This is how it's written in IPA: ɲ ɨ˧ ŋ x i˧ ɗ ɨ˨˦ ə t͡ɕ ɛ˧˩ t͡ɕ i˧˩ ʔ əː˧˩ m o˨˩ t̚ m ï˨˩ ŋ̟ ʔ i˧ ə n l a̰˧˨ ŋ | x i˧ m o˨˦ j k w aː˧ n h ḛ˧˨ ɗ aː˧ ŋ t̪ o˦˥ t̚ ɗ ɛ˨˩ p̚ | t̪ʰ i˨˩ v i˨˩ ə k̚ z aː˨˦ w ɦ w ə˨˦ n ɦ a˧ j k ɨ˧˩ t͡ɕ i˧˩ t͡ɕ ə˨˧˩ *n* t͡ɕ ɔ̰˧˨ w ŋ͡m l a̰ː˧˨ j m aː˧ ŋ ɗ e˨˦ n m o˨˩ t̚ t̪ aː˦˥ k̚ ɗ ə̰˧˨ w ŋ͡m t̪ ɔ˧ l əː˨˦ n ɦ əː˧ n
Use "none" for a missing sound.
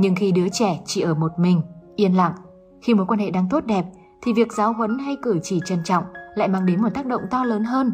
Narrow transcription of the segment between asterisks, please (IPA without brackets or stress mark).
n